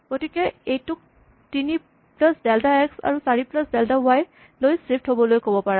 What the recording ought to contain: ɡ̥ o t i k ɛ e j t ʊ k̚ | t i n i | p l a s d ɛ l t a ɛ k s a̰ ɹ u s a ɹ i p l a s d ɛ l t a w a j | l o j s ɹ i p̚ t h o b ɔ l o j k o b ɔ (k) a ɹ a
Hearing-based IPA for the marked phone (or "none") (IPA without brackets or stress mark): p